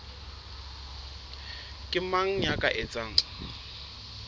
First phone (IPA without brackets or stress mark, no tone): kʼ